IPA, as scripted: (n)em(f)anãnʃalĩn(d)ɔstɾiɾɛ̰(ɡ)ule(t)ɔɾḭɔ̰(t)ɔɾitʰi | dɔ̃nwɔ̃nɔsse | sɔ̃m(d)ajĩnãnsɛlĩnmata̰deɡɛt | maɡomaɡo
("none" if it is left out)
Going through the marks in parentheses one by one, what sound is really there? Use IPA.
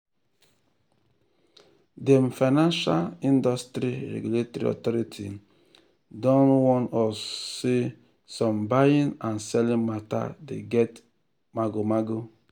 d, f, d, ɡ, t, t, b

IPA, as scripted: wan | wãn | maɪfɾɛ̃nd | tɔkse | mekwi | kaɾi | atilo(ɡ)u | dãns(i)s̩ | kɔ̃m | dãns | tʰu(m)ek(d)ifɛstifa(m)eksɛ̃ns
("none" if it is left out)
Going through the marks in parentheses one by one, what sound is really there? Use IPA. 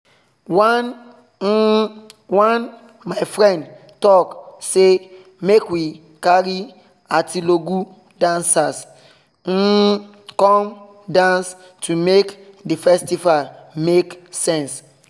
ɡ, a, m, d, m

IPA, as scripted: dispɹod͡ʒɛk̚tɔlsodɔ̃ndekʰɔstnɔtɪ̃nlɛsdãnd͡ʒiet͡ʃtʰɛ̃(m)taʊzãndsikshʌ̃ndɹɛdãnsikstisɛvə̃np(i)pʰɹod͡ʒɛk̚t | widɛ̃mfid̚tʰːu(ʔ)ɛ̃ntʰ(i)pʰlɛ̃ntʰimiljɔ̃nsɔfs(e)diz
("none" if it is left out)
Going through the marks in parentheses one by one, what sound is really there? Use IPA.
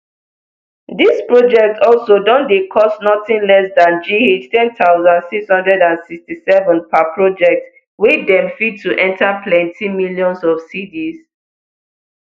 n, a, ʔ, a, i

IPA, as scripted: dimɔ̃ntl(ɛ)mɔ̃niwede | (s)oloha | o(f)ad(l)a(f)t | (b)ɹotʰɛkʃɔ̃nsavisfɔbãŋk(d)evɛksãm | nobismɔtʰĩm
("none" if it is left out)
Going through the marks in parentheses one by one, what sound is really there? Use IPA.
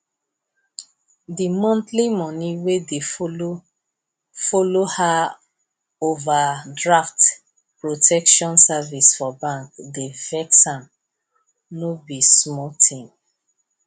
i, f, v, ɹ, f, p, d

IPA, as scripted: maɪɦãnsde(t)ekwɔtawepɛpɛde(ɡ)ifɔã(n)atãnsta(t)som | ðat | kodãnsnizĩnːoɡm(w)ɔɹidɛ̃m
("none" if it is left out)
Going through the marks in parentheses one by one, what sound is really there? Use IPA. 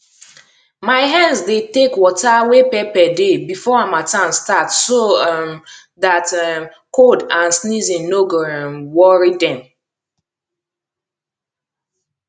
t, b, m, t, w

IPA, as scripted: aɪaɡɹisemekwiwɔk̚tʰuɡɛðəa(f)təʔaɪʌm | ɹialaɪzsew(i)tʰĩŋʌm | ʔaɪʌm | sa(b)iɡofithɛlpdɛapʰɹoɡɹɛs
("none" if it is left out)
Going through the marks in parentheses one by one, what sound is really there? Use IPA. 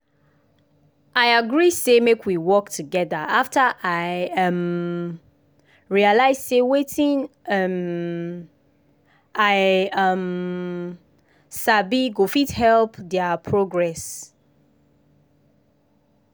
f, e, b

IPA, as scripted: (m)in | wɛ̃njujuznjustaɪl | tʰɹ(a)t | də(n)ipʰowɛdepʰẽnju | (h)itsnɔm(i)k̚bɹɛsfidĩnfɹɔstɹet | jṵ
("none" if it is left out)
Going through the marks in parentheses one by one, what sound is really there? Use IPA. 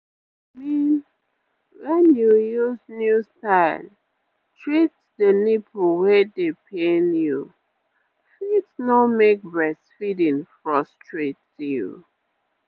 m, i, n, f, e

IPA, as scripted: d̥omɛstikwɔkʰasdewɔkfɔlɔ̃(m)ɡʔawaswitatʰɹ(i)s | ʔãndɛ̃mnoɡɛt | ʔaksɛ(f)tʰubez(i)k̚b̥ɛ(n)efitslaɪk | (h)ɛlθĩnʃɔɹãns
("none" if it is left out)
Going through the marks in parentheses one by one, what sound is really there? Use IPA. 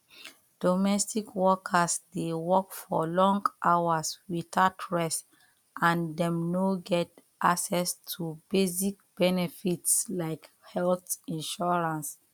ŋ, ɛ, s, i, n, h

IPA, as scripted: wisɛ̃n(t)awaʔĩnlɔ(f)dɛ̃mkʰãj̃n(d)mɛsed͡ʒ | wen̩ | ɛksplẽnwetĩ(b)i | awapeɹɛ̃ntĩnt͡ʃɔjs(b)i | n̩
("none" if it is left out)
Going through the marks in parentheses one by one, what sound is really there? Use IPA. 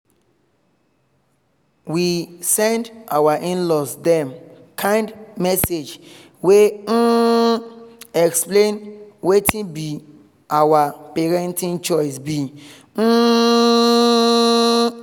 d, s, d, b, b

